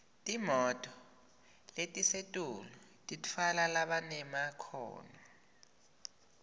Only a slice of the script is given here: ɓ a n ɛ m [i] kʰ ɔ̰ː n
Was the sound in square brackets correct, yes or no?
no